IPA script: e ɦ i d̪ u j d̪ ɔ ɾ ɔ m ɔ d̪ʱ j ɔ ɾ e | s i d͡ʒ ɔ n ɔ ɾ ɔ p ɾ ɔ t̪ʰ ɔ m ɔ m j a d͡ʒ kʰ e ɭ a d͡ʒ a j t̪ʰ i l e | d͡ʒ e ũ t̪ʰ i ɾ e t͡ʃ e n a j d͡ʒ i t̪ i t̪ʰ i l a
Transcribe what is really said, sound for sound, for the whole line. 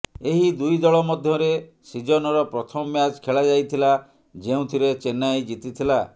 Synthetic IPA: e ɦ i d̪ u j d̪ ɔ ɭ ɔ m ɔ d̪ʱ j ɔ ɾ e | s i d͡ʒ ɔ n ɔ ɾ ɔ p ɾ ɔ t̪ʰ ɔ m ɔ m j a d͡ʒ kʰ e ɭ a d͡ʒ a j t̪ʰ i l a | d͡ʒ e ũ t̪ʰ i ɾ e t͡ʃ e n a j d͡ʒ i t̪ i t̪ʰ i l a